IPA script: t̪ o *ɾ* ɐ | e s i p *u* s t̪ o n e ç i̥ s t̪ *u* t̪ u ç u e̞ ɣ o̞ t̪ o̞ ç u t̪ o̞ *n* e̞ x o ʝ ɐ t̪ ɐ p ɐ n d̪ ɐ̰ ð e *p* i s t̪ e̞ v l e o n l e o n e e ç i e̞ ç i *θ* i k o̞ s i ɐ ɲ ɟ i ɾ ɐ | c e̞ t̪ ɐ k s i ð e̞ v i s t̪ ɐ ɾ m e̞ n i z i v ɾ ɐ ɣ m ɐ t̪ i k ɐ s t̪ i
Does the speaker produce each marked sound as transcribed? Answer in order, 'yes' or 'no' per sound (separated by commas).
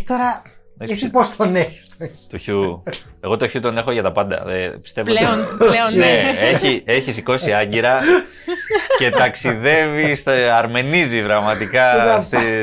yes, no, no, yes, yes, no